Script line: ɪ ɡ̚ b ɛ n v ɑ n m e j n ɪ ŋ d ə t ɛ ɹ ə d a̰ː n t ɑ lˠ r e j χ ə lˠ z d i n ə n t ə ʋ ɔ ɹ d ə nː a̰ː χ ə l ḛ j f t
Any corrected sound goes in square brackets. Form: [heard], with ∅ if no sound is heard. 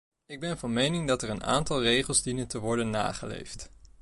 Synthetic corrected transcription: ɪ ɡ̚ b ɛ n v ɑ n m e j n ɪ ŋ d [ɑ] t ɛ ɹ ə [n] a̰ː n t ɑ lˠ r e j χ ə lˠ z d i n ə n t ə ʋ ɔ ɹ d ə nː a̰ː χ ə l ḛ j f t